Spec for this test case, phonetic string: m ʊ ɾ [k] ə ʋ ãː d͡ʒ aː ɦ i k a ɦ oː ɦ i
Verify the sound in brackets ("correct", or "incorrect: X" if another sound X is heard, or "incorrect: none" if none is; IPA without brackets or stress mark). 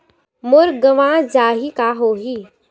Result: incorrect: ɡ